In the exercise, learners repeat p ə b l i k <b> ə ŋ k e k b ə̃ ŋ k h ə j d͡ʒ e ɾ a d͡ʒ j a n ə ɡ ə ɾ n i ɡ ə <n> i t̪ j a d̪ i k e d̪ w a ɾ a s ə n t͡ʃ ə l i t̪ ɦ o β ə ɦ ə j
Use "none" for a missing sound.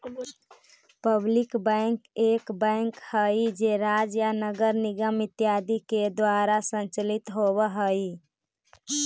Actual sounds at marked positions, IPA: b, m

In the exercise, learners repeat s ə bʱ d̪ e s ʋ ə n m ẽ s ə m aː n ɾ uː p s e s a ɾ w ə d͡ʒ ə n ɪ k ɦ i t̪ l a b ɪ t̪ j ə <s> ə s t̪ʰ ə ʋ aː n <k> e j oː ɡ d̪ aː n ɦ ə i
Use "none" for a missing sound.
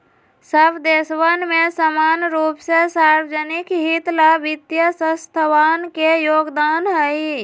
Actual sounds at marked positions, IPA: s, k

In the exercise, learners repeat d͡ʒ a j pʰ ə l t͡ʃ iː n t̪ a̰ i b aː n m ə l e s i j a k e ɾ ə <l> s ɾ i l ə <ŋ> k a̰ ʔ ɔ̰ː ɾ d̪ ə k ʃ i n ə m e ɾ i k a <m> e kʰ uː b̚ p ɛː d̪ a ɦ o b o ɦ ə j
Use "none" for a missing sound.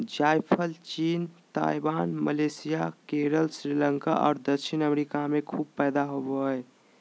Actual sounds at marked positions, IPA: l, ŋ, m

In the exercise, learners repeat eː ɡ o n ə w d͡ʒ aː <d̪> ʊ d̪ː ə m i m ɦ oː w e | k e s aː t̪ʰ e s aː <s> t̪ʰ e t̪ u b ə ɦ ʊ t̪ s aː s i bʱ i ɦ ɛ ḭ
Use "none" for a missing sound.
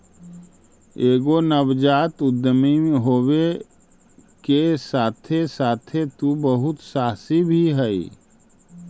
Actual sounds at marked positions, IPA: t̪, none

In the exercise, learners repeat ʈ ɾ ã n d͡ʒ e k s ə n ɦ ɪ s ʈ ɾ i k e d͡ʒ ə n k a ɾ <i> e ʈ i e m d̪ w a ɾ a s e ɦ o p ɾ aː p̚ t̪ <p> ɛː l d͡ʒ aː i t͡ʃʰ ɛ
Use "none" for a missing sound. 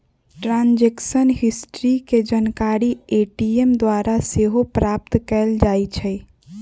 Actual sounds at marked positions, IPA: i, k

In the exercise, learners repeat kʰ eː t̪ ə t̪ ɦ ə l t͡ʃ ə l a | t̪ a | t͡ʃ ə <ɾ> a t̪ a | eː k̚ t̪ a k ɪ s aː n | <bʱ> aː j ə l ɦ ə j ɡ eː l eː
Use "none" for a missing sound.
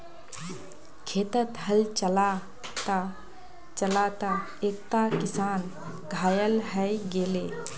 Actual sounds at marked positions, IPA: l, ɡʱ

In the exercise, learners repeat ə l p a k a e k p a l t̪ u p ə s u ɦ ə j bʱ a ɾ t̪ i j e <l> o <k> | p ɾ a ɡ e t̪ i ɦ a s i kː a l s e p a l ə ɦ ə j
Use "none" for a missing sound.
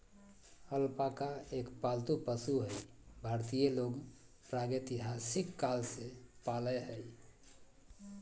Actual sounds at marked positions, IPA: l, ɡ

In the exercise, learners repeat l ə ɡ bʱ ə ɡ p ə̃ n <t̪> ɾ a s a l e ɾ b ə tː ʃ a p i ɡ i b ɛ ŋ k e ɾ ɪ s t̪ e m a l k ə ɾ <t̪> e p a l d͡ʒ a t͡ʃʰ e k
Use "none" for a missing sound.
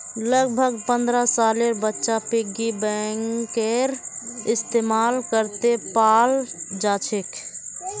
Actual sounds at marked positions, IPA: d̪, t̪

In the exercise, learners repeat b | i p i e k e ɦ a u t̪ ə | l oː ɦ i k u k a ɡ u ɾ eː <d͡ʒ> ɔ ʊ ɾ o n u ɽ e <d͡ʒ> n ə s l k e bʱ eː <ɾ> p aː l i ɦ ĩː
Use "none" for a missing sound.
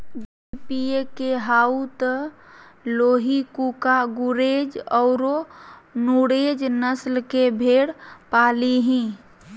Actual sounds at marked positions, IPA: d͡ʒ, d͡ʒ, ɽ

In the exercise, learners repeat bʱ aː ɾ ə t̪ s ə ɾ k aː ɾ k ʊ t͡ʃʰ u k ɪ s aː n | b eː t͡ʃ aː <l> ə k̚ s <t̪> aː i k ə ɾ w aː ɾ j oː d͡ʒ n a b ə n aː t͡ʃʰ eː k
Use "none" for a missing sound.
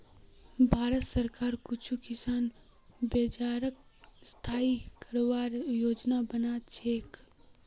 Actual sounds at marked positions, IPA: ɾ, t̪ʰ

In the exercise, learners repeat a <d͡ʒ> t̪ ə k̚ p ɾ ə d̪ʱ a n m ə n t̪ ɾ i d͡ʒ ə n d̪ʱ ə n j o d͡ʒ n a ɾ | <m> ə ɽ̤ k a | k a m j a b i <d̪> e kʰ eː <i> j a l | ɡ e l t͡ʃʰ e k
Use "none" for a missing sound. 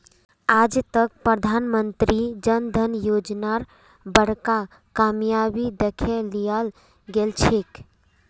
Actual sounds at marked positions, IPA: d͡ʒ, b, d̪, i

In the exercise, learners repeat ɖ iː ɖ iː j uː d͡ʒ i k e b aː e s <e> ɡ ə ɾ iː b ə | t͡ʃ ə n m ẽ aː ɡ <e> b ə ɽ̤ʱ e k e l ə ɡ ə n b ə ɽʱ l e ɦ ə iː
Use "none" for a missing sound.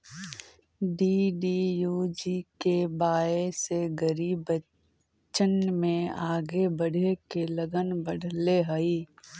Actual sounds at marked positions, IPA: e, e

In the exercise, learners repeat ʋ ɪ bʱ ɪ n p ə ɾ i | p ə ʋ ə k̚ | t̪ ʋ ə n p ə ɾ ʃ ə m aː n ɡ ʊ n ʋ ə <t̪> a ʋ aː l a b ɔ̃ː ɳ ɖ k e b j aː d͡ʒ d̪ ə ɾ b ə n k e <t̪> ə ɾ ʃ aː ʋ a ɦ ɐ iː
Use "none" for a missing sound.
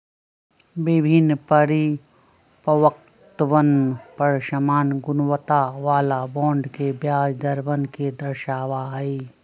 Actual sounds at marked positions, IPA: t̪, d̪

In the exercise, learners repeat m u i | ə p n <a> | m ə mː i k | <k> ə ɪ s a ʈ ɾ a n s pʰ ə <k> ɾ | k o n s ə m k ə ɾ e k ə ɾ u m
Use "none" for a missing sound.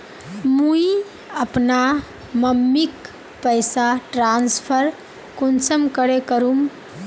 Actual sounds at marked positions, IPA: a, p, none

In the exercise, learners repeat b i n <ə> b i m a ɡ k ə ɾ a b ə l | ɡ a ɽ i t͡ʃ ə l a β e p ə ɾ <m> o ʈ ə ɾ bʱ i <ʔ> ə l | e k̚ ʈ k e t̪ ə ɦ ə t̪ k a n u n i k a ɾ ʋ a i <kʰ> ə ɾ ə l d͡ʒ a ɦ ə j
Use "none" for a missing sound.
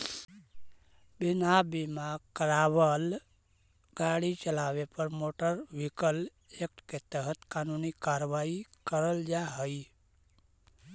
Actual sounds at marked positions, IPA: a, m, k, k

